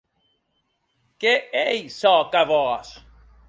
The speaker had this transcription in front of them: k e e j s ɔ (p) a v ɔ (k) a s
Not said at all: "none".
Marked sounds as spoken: k, none

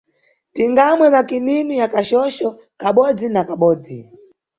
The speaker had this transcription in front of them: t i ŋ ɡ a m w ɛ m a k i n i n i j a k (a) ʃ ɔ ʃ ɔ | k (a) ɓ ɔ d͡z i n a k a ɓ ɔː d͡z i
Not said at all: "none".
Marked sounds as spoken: a, a

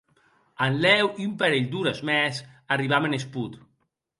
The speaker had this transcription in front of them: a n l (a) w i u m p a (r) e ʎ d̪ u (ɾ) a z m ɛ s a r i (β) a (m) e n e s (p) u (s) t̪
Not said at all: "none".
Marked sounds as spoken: ɛ, ɾ, ɾ, β, m, p, none

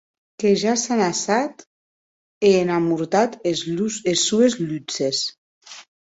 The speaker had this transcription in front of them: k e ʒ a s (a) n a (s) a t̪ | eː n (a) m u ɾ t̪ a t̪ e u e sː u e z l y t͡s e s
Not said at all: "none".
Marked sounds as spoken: a, s, a

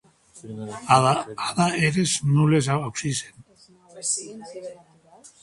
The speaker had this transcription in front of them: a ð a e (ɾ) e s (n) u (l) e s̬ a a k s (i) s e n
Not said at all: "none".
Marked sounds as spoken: ɾ, n, l, i

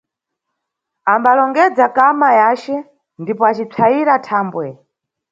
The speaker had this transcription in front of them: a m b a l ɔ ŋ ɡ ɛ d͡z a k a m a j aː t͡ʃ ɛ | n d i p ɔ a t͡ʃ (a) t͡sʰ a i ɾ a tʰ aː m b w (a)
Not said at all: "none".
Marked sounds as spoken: i, ɛ

